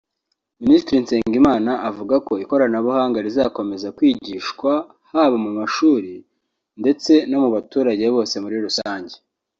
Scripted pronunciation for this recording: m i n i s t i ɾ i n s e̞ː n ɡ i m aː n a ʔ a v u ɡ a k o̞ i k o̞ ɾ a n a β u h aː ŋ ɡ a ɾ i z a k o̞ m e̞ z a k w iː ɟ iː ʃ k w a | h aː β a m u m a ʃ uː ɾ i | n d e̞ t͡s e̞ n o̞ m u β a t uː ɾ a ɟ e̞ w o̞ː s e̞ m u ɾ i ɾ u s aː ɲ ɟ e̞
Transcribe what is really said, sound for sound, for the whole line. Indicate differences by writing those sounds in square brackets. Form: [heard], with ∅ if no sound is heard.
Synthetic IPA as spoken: m i n i s t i ɾ i n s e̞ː [ŋ] ɡ i m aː n a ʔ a v u ɡ a k o̞ i k o̞ ɾ a n a β u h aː ŋ ɡ a ɾ i z a k o̞ m e̞ z a k w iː ɟ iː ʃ k w a | h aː β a m u m a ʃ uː ɾ i | n d e̞ t͡s e̞ n o̞ m u β a t uː ɾ a ɟ e̞ [β] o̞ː s e̞ m u ɾ i ɾ u s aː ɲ ɟ e̞